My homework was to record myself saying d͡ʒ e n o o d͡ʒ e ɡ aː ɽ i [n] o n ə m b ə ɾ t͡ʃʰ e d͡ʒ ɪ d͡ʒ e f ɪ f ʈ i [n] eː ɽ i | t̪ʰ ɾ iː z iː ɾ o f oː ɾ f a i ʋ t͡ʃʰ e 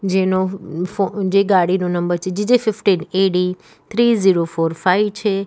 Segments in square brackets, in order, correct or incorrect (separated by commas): correct, correct